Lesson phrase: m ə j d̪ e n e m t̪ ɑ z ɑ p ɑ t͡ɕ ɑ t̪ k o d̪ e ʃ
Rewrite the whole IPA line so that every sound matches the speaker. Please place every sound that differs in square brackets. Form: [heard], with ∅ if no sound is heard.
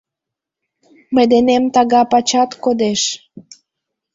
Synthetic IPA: m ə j d̪ e n e m t̪ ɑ [ɣ] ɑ p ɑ t͡ɕ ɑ t̪ k o d̪ e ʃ